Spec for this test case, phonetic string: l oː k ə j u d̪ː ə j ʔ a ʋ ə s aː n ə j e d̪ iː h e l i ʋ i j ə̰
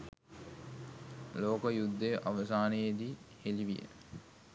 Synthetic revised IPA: l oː k ə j u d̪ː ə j ʔ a ʋ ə s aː n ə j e d̪ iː h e l i ʋ i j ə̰